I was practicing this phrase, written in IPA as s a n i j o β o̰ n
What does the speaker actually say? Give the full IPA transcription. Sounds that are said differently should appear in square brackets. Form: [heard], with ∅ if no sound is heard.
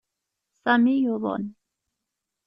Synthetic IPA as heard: s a [m] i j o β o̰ n